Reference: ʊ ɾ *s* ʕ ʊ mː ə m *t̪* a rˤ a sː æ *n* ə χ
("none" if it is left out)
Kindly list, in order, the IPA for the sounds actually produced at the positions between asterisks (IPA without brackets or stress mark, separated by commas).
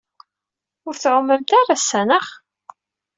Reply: θ, t̪, n